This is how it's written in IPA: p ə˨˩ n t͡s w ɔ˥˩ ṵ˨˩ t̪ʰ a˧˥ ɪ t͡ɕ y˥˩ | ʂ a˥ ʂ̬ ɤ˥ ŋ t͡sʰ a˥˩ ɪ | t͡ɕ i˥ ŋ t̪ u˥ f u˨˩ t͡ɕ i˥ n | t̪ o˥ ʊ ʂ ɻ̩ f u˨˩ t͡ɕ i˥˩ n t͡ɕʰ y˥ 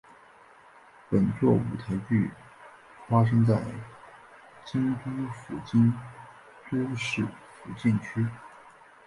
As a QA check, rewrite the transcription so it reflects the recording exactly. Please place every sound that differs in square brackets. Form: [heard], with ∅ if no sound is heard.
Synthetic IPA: p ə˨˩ n t͡s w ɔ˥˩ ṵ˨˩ t̪ʰ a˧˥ ɪ t͡ɕ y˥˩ | [f] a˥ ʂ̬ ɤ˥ ŋ [t͡s] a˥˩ ɪ | t͡ɕ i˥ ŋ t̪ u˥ f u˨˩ t͡ɕ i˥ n | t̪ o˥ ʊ ʂ ɻ̩ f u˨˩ t͡ɕ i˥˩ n t͡ɕʰ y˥